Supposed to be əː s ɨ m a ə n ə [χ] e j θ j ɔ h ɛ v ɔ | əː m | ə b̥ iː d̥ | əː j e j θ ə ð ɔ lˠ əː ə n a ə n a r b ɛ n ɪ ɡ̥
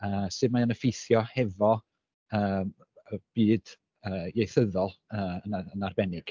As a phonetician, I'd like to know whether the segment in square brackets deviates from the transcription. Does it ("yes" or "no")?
yes